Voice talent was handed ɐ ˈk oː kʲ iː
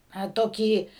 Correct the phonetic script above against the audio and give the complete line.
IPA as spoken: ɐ ˈt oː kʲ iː